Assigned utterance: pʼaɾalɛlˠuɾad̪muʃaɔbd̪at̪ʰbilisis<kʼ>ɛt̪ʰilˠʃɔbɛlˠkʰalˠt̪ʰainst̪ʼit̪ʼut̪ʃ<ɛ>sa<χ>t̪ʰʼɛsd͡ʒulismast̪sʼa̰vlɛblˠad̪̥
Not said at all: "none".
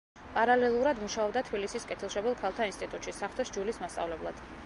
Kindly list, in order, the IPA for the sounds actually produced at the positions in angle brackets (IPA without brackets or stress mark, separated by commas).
kʼ, i, χ